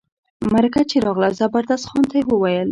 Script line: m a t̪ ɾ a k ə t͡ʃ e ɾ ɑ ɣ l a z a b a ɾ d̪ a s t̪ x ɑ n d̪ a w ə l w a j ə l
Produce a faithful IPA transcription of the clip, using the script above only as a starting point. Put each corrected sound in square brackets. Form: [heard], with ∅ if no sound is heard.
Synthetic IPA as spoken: m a [∅] ɾ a k [a] t͡ʃ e ɾ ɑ ɣ l a z a b a ɾ d̪ a s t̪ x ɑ n [t̪] a w ə [∅] w a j ə l